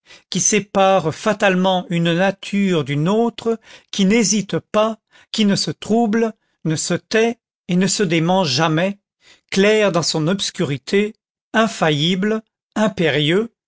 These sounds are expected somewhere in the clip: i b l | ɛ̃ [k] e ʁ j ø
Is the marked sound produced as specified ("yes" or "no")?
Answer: no